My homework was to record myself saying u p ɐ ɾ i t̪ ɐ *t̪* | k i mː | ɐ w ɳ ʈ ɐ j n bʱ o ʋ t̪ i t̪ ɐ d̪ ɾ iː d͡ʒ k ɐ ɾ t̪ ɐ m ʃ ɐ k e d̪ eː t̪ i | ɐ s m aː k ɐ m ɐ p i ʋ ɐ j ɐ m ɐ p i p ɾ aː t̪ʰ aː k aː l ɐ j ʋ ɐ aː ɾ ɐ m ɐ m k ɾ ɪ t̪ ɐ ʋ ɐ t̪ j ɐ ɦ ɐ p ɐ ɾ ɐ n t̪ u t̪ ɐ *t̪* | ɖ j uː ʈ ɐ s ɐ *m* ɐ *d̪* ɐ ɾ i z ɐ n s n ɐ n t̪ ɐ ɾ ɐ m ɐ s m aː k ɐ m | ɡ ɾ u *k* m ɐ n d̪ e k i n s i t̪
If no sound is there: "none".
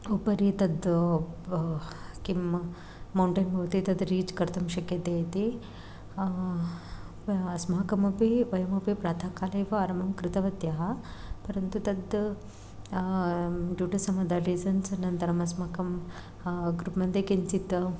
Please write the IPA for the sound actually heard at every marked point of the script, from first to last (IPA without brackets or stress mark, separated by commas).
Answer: d̪, d̪, m, d̪, p